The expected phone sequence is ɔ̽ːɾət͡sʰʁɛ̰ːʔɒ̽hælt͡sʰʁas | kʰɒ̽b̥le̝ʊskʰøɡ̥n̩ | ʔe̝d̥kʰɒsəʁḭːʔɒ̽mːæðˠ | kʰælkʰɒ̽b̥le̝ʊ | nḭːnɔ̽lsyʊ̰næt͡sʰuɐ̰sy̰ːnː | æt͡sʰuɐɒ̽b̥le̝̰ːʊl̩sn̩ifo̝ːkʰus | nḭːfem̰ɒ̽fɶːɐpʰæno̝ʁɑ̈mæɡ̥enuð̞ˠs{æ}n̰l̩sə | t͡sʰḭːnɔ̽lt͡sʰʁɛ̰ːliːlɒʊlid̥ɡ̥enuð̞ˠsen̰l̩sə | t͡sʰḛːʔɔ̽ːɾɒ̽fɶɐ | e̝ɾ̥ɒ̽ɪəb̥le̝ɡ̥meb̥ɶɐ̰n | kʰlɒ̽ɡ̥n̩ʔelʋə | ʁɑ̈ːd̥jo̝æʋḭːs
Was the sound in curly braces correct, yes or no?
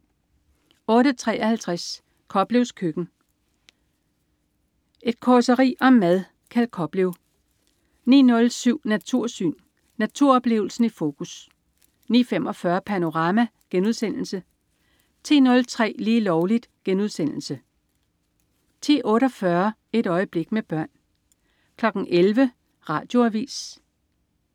no